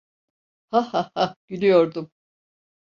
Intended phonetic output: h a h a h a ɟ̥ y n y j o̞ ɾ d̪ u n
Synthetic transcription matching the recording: h a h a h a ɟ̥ y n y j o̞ ɾ d̪ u m

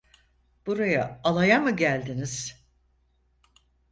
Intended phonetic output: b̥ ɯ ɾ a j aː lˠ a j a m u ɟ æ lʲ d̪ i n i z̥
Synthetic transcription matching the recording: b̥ u ɾ a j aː lˠ a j a m ɯ ɟ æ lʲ d̪ i n i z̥

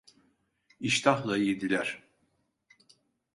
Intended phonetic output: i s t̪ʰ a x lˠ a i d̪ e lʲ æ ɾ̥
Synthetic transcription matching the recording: i ʃ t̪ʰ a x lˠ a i d̪ i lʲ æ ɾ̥

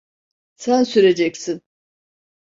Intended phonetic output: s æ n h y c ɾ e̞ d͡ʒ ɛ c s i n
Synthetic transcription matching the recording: s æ n s y ɾ e̞ d͡ʒ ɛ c s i n

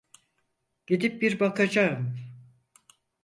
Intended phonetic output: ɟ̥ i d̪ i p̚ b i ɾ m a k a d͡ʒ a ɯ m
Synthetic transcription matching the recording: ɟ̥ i d̪ i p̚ b i ɾ b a k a d͡ʒ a ɯ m

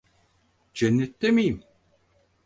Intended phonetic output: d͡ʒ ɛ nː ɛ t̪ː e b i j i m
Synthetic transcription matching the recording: d͡ʒ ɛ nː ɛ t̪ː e m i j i m

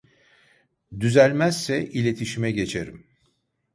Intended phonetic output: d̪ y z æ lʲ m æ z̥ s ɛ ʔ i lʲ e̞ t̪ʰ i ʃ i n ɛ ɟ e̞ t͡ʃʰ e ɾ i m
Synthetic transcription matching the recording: d̪ y z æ lʲ m æ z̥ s ɛ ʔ i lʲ e̞ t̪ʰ i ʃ i m ɛ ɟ e̞ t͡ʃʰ e ɾ i m

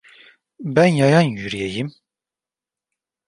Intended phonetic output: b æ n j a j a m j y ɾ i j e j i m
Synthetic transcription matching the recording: b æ n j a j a n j y ɾ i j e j i m

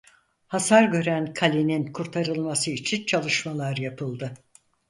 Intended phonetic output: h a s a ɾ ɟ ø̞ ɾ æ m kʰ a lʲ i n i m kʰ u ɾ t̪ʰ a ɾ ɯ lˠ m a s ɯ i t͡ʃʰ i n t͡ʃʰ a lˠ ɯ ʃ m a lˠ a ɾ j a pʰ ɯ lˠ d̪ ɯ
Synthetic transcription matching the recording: h a s a ɾ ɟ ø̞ ɾ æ n kʰ a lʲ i n i n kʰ u ɾ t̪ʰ a ɾ ɯ lˠ m a s ɯ i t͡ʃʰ i n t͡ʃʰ a lˠ ɯ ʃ m a lˠ a ɾ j a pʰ ɯ lˠ d̪ ɯ

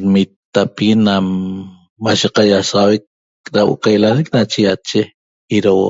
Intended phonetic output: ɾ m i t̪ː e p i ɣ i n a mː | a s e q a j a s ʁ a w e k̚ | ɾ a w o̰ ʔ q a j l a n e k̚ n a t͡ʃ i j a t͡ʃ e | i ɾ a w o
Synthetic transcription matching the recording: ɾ m i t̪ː a p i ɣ i n a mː | a ʃ e q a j a s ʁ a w e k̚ | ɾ a w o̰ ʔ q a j l a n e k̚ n a t͡ʃ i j a t͡ʃ e | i ɾ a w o

